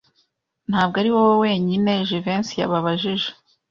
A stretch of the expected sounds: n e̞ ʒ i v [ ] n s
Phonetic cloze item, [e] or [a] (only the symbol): e